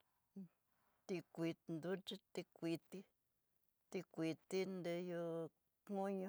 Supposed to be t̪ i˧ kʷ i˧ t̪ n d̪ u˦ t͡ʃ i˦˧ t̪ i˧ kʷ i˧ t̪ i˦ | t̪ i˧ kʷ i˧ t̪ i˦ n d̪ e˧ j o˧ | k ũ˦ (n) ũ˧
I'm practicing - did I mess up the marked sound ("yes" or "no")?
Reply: yes